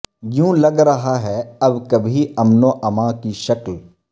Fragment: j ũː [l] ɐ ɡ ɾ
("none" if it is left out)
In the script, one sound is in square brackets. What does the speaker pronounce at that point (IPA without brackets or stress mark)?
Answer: l